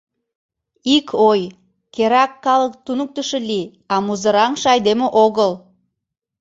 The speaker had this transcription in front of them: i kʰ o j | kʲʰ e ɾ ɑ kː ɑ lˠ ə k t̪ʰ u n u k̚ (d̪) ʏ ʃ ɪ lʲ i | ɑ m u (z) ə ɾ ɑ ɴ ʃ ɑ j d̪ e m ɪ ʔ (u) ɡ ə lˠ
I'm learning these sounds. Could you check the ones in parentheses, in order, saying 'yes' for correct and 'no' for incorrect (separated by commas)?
no, yes, no